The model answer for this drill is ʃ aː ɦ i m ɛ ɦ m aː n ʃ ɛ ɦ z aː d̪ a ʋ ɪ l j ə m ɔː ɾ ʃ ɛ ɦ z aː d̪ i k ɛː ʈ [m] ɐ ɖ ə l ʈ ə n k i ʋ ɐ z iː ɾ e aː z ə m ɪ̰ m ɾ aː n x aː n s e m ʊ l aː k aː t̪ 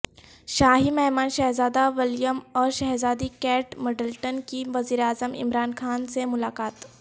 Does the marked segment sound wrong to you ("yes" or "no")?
no